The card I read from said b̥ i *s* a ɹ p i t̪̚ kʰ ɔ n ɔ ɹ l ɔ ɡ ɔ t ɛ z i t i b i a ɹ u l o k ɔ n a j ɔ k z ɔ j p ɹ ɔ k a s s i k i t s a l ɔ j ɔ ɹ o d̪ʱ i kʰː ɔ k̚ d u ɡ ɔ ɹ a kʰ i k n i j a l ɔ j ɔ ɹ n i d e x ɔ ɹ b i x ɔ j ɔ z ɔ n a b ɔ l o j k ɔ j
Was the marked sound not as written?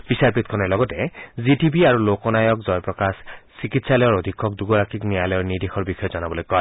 no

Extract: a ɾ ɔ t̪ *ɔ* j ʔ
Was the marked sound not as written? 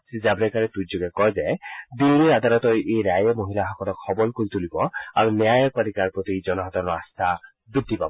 no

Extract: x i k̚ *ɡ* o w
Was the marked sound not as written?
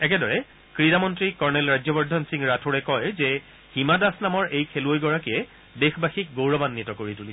no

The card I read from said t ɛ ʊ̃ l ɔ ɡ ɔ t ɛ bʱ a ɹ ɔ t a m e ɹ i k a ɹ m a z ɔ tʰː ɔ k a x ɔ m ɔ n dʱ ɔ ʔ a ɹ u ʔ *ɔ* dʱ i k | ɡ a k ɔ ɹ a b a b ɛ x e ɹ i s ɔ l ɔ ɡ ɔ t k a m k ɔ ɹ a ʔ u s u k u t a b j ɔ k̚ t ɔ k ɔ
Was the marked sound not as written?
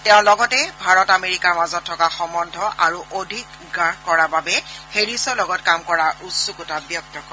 yes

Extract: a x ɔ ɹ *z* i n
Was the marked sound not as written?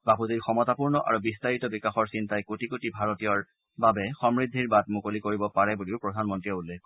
yes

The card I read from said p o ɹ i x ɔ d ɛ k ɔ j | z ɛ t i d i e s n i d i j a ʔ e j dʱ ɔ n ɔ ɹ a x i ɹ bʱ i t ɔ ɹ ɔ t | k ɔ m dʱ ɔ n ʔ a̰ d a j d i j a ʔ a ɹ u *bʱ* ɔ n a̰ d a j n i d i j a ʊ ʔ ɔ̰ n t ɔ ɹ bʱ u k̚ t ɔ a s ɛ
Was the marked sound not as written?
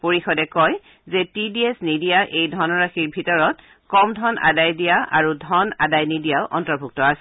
yes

